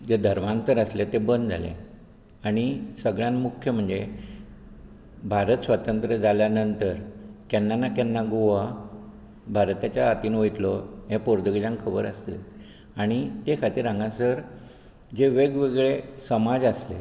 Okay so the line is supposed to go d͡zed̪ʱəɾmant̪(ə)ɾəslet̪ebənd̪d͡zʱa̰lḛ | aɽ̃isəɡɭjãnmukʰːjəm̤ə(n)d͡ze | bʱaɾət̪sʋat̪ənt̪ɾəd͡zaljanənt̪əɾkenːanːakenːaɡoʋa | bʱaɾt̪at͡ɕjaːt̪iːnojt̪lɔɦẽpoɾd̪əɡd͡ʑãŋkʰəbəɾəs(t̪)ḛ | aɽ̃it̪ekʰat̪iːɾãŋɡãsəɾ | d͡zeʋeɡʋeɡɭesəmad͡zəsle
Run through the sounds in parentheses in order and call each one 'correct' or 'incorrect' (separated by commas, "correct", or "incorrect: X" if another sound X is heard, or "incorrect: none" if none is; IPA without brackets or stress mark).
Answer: correct, incorrect: ɳ, correct